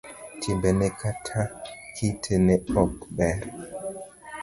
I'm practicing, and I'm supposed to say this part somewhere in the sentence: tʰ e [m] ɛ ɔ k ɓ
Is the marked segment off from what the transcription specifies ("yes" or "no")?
yes